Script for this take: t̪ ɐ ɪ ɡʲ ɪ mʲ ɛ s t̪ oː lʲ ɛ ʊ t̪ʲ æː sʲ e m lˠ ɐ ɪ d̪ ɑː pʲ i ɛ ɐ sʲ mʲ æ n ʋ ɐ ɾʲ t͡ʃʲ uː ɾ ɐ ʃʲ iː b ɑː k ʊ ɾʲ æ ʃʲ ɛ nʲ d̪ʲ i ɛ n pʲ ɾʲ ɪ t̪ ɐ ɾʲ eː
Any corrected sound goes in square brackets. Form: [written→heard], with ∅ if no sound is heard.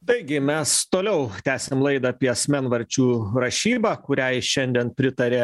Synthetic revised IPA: t̪ ɐ ɪ ɡʲ ɪ mʲ ɛ s t̪ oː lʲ ɛ ʊ t̪ʲ æː sʲ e m lˠ ɐ ɪ d̪ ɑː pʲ i ɛ ɐ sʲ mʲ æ n ʋ ɐ ɾʲ t͡ʃʲ uː ɾ ɐ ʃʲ iː b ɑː k ʊ ɾʲ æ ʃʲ ɛ nʲ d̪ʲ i ɛ n pʲ ɾʲ ɪ t̪ ɐ ɾʲ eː